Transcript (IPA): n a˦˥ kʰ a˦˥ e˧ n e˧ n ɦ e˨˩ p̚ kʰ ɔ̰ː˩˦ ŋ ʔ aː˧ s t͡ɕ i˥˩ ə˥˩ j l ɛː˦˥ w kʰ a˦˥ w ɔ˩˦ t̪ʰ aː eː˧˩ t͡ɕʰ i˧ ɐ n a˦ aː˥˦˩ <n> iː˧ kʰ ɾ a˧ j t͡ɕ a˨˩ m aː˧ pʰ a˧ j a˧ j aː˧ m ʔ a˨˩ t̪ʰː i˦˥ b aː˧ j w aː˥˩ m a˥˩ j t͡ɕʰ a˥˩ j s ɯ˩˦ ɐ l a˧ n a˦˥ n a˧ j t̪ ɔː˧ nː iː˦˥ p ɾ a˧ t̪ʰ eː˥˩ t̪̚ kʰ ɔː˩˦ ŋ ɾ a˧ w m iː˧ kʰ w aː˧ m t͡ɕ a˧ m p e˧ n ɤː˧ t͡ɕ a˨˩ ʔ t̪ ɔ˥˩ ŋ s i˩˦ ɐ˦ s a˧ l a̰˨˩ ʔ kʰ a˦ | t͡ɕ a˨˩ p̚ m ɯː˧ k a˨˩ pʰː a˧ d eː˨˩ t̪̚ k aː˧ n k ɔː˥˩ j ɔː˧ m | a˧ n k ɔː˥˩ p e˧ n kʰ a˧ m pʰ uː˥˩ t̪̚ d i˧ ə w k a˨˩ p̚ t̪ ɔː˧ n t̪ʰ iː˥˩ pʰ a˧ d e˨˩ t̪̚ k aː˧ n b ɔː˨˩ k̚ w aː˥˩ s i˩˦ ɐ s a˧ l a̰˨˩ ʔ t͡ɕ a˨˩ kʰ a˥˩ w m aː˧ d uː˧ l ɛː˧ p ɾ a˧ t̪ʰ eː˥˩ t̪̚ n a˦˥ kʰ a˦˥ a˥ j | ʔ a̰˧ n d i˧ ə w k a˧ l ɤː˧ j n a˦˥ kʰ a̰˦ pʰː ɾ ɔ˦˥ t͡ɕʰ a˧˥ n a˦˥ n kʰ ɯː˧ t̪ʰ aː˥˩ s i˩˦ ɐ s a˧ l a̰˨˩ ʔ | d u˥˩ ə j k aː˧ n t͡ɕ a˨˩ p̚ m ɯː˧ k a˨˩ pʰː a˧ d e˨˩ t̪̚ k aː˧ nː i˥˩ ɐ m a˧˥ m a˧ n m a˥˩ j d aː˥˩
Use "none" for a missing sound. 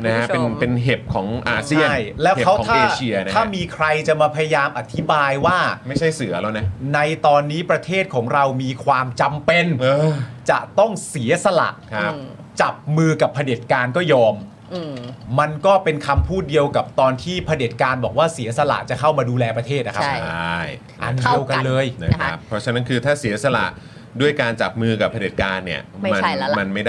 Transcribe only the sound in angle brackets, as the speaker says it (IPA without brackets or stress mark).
m